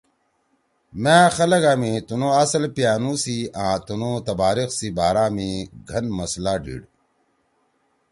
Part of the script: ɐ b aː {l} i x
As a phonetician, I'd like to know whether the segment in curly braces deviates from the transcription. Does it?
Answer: yes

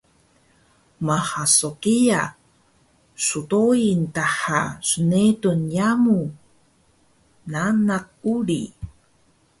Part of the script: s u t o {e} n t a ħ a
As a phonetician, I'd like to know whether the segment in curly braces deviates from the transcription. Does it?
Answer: yes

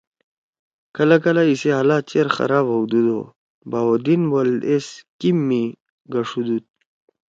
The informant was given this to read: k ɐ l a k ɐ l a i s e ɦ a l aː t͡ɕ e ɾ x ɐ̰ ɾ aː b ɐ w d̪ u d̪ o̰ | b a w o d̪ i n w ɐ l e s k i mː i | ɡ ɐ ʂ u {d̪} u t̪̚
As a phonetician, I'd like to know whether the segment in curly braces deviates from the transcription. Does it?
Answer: no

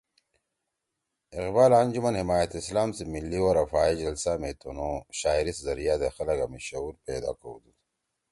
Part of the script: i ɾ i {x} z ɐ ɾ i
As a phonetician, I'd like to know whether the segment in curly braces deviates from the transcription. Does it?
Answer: yes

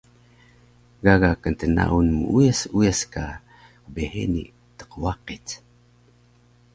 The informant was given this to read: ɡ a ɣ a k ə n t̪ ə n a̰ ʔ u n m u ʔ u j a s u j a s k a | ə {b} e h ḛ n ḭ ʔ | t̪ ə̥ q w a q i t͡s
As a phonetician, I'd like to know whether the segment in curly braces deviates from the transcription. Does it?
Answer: no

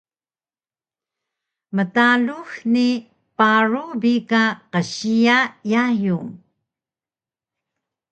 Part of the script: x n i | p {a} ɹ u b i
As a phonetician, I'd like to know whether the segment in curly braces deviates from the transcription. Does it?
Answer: no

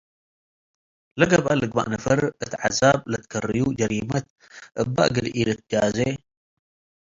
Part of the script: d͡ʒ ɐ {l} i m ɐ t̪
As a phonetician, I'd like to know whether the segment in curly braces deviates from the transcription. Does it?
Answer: yes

